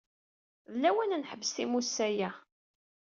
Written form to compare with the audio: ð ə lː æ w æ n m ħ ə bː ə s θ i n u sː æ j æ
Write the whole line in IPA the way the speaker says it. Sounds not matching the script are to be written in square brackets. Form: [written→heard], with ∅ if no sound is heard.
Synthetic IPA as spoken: ð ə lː æ w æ n [m→n] ħ ə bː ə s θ i [n→m] u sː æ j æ

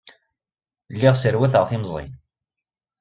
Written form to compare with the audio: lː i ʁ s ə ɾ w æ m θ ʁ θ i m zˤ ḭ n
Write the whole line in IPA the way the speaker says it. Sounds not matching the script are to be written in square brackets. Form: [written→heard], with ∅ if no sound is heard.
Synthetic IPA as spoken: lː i ʁ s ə ɾ w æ [m→∅] θ ʁ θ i m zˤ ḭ n

